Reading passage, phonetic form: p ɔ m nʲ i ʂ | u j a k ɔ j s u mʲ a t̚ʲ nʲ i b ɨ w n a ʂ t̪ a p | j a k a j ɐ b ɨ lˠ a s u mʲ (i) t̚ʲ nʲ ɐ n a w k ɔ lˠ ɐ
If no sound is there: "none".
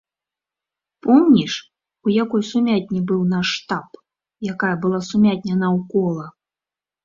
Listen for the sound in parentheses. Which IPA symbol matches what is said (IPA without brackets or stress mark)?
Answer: a